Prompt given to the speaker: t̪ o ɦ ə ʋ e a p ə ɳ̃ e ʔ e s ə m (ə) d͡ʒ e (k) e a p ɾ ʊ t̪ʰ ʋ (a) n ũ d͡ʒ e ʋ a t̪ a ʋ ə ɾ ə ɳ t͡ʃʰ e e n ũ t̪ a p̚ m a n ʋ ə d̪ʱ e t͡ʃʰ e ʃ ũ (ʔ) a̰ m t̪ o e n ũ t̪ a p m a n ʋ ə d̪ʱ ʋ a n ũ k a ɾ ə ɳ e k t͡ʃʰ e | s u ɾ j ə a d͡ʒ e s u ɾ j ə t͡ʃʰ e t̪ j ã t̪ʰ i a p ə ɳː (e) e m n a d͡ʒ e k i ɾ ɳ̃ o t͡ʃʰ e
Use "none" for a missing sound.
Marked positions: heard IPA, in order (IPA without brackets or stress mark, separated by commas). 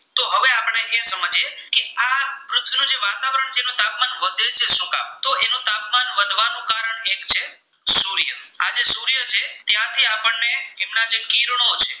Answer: ə, k, i, k, e